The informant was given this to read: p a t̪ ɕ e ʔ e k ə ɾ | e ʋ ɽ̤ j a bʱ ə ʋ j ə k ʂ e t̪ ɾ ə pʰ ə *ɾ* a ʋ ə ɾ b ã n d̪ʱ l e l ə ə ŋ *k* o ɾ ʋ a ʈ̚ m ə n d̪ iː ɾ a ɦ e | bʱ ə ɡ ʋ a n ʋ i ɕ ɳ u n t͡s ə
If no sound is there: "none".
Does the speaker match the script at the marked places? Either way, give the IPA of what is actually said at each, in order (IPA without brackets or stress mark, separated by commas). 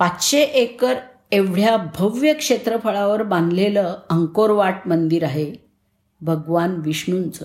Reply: ɭ, k